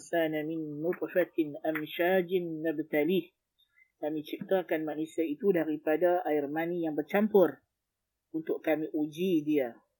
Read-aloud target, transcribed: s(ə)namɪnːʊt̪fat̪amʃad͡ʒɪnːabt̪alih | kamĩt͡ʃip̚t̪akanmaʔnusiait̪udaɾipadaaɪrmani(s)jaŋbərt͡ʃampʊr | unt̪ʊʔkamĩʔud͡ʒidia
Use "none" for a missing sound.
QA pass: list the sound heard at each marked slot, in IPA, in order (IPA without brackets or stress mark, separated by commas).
a, none